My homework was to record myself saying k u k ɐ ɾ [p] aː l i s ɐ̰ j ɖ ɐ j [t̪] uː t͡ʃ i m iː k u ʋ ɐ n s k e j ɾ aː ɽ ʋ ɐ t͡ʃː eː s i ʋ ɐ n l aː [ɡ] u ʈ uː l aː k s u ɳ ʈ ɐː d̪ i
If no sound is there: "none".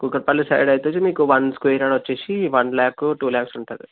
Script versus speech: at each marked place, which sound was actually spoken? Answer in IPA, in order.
p, t̪, k

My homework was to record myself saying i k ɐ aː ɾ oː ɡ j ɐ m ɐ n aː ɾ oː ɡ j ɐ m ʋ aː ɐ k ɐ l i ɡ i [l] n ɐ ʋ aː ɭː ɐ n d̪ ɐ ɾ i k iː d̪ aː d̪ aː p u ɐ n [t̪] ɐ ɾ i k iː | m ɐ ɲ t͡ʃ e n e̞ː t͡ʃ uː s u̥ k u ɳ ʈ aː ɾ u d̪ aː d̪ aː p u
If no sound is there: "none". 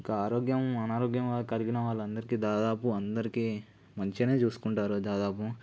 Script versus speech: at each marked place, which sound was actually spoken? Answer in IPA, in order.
none, d̪

